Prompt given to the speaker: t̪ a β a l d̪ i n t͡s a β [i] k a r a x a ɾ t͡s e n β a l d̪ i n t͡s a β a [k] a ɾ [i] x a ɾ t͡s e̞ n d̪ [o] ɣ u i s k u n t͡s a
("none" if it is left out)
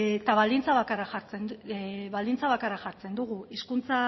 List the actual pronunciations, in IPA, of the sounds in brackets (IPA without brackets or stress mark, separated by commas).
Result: a, k, a, u